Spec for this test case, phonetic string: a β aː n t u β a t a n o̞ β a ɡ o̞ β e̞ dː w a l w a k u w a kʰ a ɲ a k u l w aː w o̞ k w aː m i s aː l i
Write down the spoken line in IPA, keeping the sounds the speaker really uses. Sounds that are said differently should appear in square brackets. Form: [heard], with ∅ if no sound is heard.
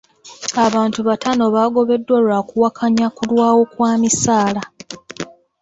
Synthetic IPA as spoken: a β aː n t u β a t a n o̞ β a ɡ o̞ β e̞ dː w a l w a k u w a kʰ a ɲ a k u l w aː w o̞ k w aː m i s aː l [a]